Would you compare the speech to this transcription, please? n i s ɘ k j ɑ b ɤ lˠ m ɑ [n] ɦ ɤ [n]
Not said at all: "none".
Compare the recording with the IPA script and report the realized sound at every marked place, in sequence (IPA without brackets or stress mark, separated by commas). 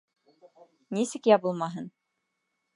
none, n